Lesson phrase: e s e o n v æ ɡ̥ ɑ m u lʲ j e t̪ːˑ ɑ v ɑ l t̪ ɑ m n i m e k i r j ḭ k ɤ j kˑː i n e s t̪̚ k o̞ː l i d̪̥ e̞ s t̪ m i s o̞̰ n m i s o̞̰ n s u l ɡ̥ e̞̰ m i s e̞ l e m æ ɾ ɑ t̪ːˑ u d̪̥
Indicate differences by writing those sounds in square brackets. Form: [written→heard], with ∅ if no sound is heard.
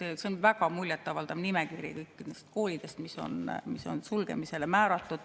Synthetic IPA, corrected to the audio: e s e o n v æ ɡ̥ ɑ m u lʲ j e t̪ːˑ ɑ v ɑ l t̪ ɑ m n i m e k i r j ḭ k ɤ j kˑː i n e s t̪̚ k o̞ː l i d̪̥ e̞ s t̪ m i s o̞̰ n m i s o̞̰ n s u l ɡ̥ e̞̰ m i s e̞ l e m [æ→æː] ɾ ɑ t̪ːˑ u d̪̥